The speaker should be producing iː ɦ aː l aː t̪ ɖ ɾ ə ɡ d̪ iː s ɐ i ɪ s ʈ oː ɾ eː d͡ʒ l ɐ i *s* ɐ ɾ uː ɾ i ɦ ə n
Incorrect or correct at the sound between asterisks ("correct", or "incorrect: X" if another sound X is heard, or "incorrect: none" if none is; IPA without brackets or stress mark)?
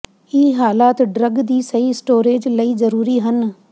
incorrect: z